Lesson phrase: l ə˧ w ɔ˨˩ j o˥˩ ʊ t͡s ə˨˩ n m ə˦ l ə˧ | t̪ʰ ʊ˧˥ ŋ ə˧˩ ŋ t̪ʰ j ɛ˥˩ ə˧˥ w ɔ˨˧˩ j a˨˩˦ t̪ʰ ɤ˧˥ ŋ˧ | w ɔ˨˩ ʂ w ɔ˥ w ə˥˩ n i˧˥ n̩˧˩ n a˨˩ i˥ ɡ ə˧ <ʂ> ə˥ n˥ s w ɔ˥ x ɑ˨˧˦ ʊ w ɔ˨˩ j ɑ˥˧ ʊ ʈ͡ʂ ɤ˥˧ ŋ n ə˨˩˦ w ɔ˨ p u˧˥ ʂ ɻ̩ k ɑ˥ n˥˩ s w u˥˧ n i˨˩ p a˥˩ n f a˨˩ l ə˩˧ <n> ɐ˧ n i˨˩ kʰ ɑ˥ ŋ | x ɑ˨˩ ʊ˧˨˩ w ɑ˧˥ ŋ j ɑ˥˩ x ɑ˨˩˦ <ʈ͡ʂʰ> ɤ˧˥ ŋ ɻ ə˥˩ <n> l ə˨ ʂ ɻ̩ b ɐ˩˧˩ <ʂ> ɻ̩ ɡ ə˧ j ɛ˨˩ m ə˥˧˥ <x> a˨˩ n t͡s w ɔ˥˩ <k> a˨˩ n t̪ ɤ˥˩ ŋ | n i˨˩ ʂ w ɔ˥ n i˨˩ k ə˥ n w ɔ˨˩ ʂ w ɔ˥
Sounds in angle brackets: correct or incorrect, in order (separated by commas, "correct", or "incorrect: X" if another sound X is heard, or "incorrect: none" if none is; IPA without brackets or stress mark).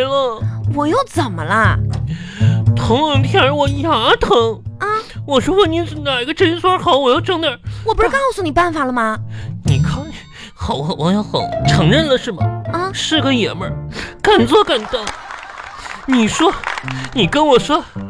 incorrect: ʈ͡ʂ, incorrect: m, correct, correct, correct, incorrect: k, correct